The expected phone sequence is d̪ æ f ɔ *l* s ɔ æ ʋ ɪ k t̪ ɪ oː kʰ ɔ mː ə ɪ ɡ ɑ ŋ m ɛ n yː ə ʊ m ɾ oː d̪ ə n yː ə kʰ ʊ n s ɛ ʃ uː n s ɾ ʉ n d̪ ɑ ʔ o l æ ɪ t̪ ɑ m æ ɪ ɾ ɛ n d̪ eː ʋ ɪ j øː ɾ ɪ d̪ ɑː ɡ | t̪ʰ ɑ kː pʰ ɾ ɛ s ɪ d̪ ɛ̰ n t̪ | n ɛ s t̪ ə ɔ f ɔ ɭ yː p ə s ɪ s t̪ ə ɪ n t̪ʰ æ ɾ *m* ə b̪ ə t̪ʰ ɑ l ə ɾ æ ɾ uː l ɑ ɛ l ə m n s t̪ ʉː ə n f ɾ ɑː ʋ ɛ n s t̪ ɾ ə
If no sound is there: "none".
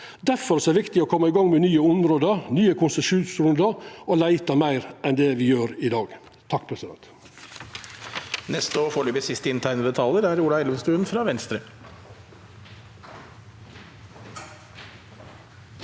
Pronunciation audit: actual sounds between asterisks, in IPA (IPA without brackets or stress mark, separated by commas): ɾ, n